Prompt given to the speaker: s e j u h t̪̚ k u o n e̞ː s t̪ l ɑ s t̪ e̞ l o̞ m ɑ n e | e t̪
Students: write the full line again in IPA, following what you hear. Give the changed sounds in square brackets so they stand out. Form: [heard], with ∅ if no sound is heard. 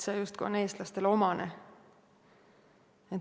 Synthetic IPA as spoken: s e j u [s] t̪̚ k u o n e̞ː s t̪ l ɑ s t̪ e̞ l o̞ m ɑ n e | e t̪